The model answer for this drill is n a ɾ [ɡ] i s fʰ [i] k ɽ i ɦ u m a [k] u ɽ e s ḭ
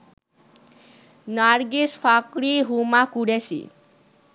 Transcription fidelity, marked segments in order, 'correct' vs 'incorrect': correct, incorrect: a, correct

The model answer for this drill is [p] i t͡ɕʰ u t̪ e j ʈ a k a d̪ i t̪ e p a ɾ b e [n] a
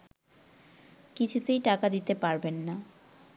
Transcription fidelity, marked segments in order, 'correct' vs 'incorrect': incorrect: k, incorrect: nː

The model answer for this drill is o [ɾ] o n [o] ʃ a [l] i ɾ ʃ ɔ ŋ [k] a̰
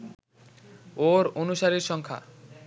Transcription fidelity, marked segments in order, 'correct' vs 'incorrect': correct, incorrect: u, incorrect: ɾ, incorrect: kʰ

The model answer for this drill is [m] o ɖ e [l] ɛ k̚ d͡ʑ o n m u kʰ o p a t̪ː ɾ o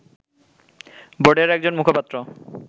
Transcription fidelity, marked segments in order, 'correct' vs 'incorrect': incorrect: b, incorrect: ɾ

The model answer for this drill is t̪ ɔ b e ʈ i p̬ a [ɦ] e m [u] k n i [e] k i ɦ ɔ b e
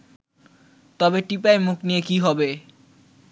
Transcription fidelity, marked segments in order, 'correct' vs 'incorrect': incorrect: none, correct, correct

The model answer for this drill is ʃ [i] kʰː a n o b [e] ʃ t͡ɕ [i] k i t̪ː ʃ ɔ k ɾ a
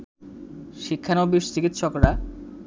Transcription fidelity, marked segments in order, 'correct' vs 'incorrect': correct, incorrect: i, correct

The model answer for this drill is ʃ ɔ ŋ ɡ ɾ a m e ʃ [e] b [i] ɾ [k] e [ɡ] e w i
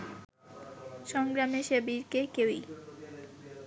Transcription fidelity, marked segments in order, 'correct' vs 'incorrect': correct, correct, correct, incorrect: k

